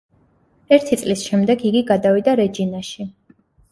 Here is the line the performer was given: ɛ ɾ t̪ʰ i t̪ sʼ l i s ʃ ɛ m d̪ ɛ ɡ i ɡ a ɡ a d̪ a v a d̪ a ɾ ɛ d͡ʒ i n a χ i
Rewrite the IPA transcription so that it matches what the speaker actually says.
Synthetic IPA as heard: ɛ ɾ t̪ʰ i t̪ sʼ l i s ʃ ɛ m d̪ ɛ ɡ i ɡ i ɡ a d̪ a v i d̪ a ɾ ɛ d͡ʒ i n a ʃ i